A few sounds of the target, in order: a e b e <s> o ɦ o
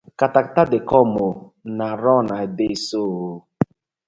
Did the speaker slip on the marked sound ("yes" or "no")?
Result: no